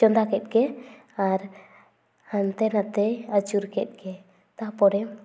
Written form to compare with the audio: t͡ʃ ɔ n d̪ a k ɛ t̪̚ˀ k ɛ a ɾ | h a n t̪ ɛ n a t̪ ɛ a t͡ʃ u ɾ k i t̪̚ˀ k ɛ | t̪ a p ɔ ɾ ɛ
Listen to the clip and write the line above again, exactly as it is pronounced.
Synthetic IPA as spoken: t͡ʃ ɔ n d̪ a k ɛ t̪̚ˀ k ɛ a ɾ | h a n t̪ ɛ n a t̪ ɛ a t͡ʃ u ɾ k ɛ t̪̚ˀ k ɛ | t̪ a p ɔ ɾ ɛ